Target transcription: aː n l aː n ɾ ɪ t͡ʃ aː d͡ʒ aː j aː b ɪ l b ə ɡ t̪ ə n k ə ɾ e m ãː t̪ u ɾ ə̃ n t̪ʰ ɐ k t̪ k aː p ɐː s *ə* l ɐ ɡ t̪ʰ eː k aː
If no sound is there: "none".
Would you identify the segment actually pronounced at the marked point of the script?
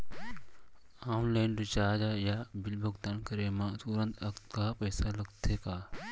a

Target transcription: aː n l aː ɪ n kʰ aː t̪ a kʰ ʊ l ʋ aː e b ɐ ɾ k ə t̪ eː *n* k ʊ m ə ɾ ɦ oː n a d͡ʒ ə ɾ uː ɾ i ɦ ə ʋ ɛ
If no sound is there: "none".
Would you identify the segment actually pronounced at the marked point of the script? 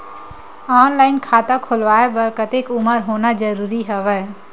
none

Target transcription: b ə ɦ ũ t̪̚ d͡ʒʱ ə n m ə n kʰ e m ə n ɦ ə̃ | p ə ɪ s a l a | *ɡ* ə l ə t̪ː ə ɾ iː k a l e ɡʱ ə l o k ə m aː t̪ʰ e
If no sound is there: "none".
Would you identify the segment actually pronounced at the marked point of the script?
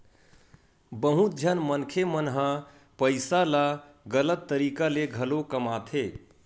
ɡ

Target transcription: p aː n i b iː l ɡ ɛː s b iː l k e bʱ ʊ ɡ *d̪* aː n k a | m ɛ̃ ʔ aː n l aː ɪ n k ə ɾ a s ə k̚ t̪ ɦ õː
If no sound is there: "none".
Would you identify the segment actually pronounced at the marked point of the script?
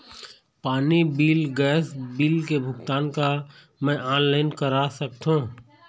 t̪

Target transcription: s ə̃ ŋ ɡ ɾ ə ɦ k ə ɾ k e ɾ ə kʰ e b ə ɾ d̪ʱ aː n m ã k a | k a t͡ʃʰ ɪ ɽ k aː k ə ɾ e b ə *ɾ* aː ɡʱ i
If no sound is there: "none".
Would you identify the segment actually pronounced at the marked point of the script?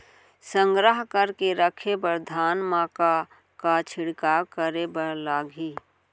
l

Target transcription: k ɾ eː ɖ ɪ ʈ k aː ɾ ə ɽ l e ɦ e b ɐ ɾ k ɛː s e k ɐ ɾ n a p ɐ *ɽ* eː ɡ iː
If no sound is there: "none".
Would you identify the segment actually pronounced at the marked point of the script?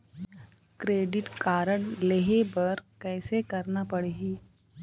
ɽ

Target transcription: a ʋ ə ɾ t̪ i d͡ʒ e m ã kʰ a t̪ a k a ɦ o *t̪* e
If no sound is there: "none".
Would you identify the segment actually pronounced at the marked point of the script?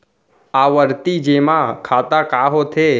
t̪ʰ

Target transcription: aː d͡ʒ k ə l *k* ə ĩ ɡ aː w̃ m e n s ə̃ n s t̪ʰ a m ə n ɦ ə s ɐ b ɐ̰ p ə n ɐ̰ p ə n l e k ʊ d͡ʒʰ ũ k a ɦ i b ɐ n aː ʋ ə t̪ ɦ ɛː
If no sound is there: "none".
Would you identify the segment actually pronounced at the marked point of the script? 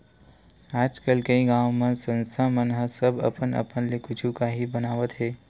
k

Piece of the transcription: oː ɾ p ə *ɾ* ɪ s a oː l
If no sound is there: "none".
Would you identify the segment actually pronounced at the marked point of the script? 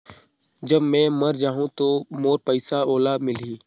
none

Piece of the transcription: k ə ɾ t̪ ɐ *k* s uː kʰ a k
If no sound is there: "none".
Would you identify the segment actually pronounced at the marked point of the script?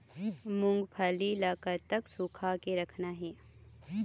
k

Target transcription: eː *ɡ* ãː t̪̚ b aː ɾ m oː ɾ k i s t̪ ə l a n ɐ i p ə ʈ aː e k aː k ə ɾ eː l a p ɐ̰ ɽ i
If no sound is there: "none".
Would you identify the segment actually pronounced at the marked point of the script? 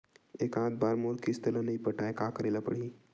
k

